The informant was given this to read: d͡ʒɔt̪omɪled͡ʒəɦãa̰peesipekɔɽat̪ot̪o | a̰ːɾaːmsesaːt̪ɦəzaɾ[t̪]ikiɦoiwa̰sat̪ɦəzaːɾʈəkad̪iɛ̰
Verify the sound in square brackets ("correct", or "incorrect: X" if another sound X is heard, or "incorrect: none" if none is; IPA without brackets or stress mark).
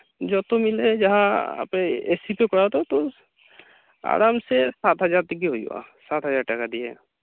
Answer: correct